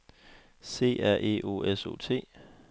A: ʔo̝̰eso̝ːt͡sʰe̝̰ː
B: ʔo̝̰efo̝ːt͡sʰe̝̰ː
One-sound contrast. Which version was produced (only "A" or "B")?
A